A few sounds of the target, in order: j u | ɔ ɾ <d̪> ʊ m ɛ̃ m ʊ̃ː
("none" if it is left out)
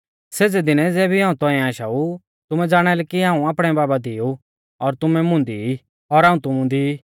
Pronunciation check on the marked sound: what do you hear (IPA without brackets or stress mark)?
t̪